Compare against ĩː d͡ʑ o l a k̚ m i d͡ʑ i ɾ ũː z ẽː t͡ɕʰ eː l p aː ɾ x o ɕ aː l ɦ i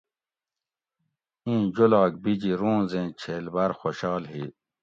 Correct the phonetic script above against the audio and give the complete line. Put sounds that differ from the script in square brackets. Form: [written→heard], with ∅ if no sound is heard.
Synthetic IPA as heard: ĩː d͡ʑ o l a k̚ [m→b] i d͡ʑ i ɾ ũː z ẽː t͡ɕʰ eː l [p→b] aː ɾ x o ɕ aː l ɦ i